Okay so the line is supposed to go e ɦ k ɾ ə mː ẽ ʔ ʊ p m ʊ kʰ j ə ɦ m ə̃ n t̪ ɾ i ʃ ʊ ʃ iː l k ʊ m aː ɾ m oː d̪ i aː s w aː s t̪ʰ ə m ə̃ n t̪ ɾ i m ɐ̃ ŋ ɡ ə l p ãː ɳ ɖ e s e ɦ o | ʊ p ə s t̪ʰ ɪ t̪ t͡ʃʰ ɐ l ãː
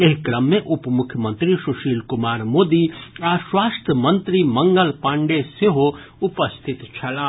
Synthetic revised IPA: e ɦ k ɾ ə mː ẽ ʔ ʊ p m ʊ kʰ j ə m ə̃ n t̪ ɾ i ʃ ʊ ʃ iː l k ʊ m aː ɾ m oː d̪ i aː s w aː s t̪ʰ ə m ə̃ n t̪ ɾ i m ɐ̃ ŋ ɡ ə l p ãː ɳ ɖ e s e ɦ o | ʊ p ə s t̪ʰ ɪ t̪ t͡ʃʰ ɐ l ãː